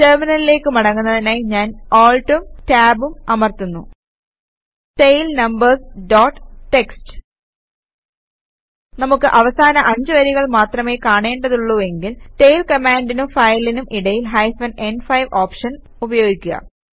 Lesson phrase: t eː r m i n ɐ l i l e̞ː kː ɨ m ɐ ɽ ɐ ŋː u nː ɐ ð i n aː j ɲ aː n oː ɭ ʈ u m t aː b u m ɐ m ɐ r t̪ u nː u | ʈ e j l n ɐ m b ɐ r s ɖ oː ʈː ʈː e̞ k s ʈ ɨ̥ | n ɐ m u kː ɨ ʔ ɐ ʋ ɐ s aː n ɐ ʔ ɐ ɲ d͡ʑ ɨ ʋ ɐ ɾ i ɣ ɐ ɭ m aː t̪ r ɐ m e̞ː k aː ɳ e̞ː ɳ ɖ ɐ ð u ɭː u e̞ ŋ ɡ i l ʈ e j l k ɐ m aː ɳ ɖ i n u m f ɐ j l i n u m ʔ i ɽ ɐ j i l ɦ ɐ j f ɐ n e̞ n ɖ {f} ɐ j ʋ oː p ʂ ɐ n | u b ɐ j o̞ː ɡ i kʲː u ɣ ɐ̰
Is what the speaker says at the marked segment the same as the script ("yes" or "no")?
yes